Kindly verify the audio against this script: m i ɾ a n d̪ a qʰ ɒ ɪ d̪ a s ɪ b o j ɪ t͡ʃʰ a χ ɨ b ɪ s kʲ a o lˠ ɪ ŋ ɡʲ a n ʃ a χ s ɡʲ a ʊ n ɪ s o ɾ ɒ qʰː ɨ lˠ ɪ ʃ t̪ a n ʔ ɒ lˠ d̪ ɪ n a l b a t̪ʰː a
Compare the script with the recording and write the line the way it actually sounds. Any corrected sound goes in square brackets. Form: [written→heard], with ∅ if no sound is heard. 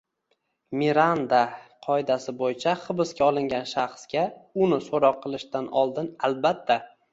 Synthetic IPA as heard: m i ɾ a n d̪ a qʰ ɒ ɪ d̪ a s ɪ b o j ɪ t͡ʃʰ a χ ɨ b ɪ s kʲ a [o→ɒ] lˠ ɪ ŋ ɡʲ a n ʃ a χ s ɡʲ a ʊ n ɪ s o ɾ ɒ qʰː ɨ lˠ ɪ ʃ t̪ a n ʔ ɒ lˠ d̪ ɪ n a l b a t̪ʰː a